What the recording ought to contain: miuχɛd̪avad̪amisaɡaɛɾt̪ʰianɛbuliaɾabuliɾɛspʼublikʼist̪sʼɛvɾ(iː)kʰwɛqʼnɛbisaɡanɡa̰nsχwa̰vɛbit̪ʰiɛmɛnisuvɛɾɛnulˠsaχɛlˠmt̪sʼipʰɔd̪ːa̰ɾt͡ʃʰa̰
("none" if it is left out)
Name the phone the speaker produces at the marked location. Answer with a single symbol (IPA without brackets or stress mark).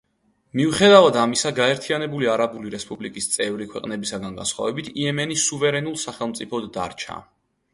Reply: i